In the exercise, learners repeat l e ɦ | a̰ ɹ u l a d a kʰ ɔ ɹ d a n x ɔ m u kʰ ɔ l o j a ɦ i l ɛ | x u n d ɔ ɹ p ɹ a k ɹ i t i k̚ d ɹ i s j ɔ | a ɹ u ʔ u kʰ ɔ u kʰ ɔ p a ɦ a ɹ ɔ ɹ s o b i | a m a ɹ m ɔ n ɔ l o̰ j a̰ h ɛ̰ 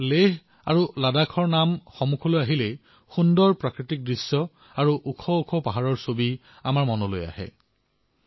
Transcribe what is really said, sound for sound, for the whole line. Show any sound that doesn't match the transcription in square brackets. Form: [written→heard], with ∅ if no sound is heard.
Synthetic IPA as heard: l e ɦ | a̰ ɹ u l a d a kʰ ɔ ɹ [d→n] a [n→m] x ɔ m u kʰ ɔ l o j a ɦ i l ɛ | x u n d ɔ ɹ p ɹ a k ɹ i t i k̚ d ɹ i s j ɔ | a ɹ u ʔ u kʰ ɔ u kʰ ɔ p a ɦ a ɹ ɔ ɹ s o b i | a m a ɹ m ɔ n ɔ l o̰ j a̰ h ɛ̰